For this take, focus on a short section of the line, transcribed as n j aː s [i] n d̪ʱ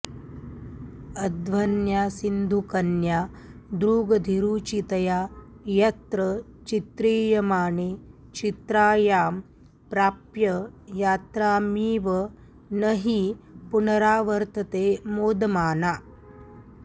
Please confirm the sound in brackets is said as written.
yes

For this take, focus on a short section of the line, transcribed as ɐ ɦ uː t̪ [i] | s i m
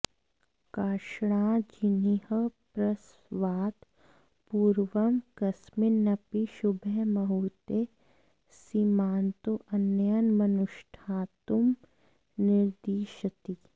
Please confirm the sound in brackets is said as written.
no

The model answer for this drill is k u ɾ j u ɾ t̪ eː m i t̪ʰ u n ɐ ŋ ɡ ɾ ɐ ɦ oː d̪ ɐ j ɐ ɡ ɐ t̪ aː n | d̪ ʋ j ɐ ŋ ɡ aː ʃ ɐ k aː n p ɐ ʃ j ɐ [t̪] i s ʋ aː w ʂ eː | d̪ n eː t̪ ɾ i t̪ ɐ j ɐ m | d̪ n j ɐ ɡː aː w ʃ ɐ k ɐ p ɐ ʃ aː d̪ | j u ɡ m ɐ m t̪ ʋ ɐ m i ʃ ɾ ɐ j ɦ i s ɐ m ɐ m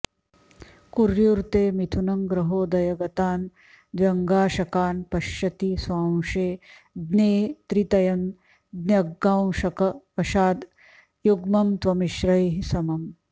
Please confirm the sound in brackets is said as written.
yes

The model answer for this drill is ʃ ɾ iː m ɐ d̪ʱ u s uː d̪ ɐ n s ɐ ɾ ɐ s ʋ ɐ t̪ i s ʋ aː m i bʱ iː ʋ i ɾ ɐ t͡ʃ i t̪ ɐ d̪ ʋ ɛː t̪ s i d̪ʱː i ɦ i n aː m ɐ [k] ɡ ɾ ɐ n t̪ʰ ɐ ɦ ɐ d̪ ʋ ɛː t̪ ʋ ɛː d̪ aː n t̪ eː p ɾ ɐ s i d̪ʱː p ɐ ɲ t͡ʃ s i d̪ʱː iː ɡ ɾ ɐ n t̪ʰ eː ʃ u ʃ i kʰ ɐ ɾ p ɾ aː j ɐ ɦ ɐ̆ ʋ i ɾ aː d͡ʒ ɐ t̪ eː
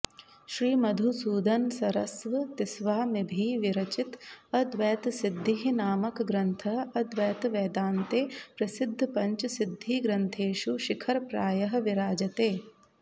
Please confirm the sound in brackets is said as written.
yes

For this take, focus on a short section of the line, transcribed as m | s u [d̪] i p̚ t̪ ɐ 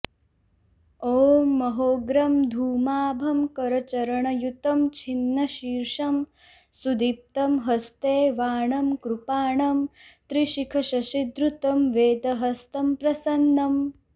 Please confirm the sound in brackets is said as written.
yes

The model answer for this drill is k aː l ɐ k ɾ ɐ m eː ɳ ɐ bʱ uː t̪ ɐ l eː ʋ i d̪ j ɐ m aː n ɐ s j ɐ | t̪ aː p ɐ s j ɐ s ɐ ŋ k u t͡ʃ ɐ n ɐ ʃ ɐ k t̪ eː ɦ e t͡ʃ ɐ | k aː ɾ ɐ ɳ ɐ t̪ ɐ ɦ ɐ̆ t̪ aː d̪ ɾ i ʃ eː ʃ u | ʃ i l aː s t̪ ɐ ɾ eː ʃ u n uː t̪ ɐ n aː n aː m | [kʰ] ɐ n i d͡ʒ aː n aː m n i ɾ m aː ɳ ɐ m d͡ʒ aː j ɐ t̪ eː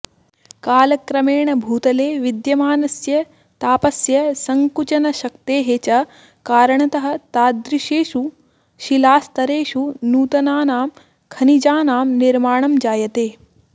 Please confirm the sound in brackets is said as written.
yes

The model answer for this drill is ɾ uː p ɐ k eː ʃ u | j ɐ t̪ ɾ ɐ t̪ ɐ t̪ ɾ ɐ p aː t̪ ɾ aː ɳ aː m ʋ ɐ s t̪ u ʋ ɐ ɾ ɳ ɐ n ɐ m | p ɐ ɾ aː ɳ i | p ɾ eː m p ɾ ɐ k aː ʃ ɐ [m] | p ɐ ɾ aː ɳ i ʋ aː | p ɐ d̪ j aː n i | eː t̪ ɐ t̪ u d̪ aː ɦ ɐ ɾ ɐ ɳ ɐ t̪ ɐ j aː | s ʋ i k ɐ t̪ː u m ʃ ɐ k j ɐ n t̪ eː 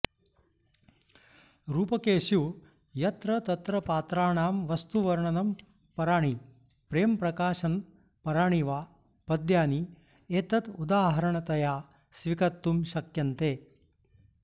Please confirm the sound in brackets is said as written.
no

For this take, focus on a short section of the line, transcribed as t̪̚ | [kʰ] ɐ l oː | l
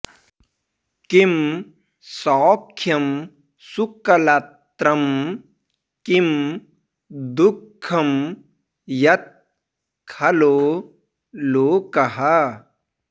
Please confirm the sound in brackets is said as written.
yes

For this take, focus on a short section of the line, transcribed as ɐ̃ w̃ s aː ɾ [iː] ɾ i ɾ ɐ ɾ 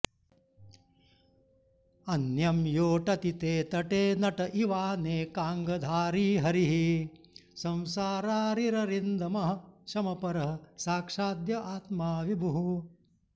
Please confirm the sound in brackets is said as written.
no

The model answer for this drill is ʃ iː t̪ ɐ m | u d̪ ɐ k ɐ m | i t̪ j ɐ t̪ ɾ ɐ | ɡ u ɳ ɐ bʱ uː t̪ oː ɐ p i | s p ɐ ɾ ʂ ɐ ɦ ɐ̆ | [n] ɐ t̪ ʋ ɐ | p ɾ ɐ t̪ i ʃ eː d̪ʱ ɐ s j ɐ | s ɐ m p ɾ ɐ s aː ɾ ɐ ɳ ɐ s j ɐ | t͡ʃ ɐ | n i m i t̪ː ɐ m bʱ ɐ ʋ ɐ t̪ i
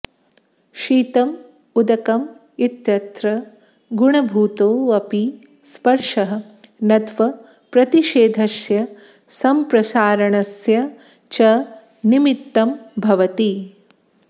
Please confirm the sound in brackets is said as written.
yes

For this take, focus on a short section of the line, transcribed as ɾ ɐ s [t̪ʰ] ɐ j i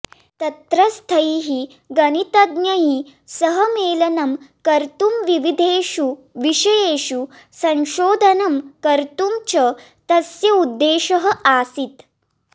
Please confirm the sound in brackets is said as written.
yes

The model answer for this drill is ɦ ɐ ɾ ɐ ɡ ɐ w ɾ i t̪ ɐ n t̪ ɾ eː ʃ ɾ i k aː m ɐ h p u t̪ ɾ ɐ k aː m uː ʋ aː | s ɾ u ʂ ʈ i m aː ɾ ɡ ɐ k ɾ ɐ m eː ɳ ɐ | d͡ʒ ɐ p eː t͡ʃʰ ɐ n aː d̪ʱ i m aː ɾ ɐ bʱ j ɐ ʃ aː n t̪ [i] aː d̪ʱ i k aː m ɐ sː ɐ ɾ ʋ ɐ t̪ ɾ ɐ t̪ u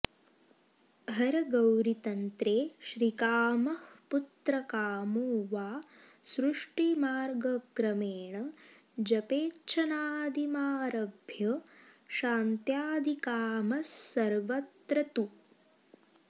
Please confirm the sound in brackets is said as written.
no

